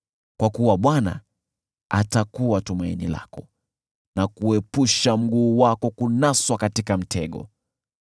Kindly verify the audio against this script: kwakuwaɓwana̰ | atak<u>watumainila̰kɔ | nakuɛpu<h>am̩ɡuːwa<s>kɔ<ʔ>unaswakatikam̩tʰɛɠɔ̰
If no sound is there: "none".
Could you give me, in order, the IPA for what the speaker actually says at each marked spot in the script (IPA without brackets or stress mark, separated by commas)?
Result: u, ʃ, none, k